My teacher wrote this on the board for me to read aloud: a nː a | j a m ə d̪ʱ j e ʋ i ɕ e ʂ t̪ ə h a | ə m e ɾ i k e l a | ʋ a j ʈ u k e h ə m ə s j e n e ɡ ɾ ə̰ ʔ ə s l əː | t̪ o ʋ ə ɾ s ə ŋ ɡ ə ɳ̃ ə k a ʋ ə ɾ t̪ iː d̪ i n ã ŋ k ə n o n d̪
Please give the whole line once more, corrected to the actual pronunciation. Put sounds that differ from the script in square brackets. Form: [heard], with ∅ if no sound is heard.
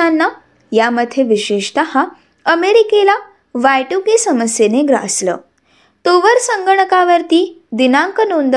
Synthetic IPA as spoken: a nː a | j a m ə d̪ʱ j e ʋ i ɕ e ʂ t̪ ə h a | ə m e ɾ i k e l a | ʋ a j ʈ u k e [s] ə m ə s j e n e ɡ ɾ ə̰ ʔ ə s l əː | t̪ o ʋ ə ɾ s ə ŋ ɡ ə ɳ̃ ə k a ʋ ə ɾ t̪ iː d̪ i n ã ŋ k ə n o n d̪